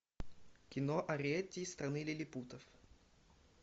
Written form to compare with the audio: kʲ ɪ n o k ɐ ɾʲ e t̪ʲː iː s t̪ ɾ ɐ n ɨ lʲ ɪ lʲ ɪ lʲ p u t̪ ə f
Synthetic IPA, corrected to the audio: kʲ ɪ n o ʔ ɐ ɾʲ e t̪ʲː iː s t̪ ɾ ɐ n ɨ lʲ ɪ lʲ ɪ p u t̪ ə f